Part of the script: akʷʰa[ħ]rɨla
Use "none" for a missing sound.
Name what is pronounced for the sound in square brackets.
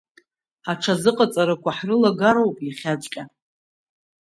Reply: ħ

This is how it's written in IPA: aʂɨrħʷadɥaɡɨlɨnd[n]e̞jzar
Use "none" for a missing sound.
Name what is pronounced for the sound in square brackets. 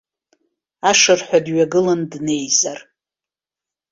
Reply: n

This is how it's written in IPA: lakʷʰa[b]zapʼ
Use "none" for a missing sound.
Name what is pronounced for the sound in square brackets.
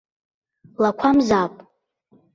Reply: m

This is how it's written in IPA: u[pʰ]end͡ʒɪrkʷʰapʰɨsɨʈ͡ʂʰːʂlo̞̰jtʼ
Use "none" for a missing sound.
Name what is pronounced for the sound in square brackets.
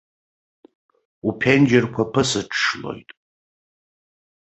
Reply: pʰ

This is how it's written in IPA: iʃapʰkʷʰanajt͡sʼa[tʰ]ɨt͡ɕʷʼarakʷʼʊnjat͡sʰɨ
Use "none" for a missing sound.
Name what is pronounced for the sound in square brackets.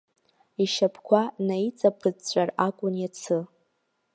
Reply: pʰ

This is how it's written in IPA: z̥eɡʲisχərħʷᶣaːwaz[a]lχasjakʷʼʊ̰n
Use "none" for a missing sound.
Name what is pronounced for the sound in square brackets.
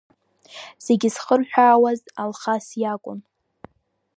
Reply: a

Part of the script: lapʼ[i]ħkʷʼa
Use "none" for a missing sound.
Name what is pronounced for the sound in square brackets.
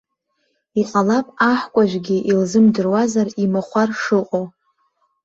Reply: a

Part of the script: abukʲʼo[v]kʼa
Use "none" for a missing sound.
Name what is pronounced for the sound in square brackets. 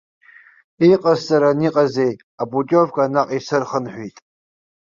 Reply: v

